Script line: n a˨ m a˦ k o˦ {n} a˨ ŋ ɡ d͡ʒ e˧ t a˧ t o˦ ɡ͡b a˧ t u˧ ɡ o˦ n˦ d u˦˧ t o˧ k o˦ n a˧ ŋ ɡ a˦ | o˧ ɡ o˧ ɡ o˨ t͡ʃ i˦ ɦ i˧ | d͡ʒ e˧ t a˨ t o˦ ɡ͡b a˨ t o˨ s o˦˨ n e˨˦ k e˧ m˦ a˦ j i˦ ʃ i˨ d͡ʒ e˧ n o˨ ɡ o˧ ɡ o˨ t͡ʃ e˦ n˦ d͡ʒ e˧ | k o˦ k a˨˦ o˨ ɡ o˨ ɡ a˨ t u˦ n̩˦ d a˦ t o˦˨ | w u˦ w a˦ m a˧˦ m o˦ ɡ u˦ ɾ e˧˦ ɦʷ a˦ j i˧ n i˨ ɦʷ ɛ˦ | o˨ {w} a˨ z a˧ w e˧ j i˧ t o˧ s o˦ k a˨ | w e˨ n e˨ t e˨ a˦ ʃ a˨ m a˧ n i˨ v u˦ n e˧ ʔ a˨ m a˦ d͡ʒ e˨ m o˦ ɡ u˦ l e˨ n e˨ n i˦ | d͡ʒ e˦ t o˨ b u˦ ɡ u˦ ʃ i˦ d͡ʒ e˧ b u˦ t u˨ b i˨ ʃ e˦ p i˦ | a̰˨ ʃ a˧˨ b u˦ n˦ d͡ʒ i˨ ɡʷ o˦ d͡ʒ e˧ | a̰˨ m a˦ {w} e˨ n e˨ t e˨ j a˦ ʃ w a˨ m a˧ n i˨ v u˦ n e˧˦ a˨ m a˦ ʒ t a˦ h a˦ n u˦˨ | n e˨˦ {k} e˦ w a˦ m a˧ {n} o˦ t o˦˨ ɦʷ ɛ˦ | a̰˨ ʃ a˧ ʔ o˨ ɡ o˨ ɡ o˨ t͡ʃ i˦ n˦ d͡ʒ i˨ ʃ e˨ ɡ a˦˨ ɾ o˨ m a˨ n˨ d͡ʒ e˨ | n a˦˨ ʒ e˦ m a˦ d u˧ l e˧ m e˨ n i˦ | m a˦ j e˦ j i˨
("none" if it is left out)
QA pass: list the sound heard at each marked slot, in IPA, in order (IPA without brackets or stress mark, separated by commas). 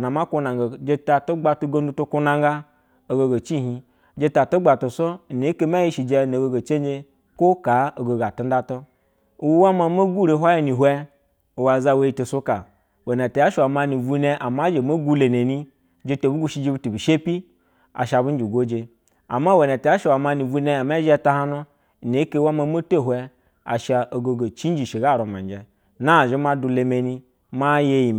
n, w, w, k, m